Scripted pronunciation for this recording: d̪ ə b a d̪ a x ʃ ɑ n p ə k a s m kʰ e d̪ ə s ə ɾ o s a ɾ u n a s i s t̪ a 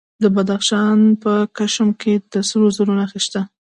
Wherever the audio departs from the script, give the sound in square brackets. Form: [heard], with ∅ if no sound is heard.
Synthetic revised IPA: d̪ ə b a d̪ a x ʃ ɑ n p ə k a [ʃ] m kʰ e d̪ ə s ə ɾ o [z] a ɾ u n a [x] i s t̪ a

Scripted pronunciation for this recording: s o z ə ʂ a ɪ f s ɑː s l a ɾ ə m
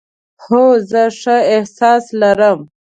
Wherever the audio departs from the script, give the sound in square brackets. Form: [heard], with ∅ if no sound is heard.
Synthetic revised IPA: [h] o z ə ʂ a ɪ [h] s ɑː s l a ɾ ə m

